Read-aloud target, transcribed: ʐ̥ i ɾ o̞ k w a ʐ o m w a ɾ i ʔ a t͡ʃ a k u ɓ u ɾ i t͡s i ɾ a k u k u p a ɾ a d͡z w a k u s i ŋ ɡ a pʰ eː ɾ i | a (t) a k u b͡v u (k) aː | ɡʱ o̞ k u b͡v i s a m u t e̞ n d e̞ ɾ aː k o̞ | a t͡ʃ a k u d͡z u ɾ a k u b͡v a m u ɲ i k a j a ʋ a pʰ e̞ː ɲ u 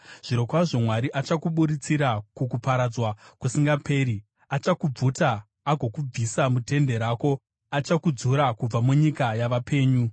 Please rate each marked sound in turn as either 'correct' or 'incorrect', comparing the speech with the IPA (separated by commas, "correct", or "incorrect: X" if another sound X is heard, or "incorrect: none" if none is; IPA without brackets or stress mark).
incorrect: t͡ʃ, incorrect: t